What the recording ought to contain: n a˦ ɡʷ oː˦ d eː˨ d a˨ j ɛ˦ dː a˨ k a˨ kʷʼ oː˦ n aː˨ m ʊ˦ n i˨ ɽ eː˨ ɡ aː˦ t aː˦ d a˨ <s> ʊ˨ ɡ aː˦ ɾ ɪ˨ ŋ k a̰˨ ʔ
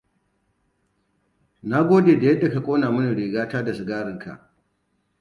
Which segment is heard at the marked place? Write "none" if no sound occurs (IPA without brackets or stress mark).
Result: s